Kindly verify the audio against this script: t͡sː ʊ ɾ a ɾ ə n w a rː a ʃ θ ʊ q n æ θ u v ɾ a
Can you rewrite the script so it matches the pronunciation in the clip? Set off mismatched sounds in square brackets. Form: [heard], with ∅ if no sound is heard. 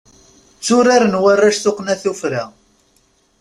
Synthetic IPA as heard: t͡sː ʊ ɾ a ɾ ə n w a rː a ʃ θ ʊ q n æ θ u [f] ɾ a